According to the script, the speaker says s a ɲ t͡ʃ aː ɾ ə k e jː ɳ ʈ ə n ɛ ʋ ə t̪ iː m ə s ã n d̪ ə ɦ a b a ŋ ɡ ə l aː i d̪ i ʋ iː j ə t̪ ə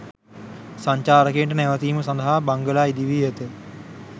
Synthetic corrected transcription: s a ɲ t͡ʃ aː ɾ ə k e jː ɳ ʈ ə n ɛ ʋ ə t̪ iː m ə s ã n d̪ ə ɦ a b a ŋ ɡ ə l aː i d̪ i ʋ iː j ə t̪ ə